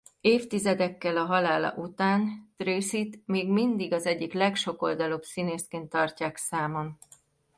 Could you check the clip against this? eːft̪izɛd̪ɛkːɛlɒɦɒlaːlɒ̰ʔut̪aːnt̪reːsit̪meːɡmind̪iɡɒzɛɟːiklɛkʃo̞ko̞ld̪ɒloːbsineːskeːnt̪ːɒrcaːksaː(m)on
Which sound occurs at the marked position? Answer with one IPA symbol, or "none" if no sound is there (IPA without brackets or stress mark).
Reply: m